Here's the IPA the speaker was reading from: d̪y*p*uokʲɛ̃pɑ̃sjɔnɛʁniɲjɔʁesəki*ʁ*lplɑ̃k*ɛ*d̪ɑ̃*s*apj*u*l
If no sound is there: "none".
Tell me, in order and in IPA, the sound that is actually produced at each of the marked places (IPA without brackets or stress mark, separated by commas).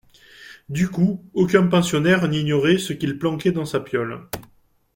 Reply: k, none, ɛ, s, ɔ